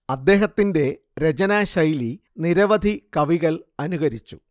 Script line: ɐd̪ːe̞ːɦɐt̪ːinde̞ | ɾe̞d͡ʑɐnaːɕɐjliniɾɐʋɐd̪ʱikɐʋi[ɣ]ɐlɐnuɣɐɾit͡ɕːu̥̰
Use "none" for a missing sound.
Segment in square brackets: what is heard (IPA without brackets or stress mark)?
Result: ɣ